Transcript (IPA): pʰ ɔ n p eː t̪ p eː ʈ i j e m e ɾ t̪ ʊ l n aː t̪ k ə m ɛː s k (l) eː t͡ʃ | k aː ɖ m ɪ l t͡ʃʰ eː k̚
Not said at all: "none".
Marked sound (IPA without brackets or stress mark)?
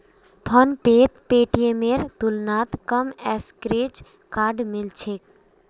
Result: ɾ